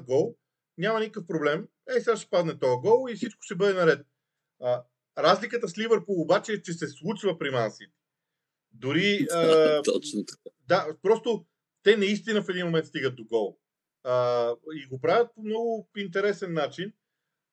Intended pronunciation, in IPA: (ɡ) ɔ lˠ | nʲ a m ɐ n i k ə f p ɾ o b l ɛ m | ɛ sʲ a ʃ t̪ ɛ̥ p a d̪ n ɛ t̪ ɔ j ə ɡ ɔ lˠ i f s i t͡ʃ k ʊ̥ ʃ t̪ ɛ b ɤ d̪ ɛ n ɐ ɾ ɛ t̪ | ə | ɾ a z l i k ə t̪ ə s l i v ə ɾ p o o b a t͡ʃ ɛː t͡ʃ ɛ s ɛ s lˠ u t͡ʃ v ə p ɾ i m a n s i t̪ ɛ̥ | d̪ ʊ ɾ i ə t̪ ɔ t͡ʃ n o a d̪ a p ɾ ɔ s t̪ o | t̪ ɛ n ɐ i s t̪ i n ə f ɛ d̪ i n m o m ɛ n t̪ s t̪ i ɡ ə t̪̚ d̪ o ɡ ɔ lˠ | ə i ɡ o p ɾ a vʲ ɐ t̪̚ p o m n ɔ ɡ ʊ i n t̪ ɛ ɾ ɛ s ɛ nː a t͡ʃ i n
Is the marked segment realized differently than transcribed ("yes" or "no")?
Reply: no